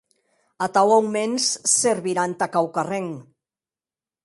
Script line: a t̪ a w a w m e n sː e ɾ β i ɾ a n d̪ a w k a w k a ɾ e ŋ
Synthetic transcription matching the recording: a t̪ a w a w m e n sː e ɾ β i ɾ a n t̪ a k a w k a r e ŋ